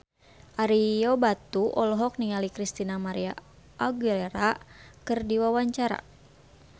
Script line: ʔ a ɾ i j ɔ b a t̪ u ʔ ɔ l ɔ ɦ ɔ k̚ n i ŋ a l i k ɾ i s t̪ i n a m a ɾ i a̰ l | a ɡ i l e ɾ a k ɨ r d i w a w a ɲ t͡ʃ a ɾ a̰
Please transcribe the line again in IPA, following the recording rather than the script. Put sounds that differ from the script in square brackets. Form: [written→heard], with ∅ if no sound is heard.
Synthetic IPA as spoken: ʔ a ɾ i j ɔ b a t̪ u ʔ ɔ l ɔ ɦ ɔ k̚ n i ŋ a l i k ɾ i s t̪ i n a m a ɾ i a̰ [l→∅] | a ɡ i l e ɾ a k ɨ r d i w a w a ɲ t͡ʃ a ɾ a̰